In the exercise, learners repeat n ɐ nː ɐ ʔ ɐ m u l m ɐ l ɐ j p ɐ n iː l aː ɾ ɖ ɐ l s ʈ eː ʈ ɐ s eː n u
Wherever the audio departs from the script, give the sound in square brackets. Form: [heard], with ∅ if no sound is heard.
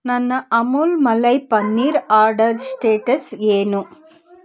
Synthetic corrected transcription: n ɐ nː ɐ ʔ ɐ m u l m ɐ l ɐ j p ɐ [nː] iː [ɾ] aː ɾ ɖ ɐ [ɾ] s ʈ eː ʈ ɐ s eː n u